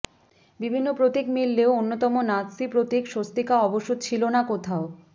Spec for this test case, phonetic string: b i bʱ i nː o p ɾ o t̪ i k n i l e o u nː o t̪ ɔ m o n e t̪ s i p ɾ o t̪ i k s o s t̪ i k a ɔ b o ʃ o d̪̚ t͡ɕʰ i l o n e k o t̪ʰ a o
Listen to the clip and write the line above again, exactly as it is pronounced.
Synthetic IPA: b i bʱ i nː o p ɾ o t̪ i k m i lː e o o nː o t̪ ɔ m o n a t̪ s i p ɾ o t̪ i k ʃ o s t̪ i k a ɔ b o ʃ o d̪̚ t͡ɕʰ i l o n a k o t̪ʰ a o